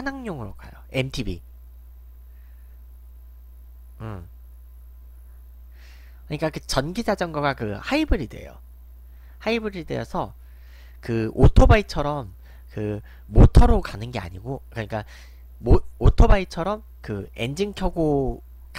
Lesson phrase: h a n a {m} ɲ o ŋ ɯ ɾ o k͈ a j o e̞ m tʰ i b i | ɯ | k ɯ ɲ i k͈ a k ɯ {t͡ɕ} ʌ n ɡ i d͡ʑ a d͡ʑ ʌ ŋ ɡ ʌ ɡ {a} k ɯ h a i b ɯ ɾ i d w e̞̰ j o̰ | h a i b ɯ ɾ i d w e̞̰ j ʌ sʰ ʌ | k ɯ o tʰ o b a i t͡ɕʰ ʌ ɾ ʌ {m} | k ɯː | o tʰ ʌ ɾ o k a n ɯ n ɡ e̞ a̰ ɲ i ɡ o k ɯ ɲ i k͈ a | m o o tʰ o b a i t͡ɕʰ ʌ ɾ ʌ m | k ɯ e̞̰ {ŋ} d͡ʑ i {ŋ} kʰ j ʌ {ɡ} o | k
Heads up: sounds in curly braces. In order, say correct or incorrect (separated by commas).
incorrect, correct, correct, correct, incorrect, correct, correct